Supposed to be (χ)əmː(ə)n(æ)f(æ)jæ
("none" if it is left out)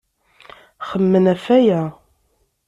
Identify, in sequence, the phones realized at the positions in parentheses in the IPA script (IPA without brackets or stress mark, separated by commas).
χ, ə, æ, æ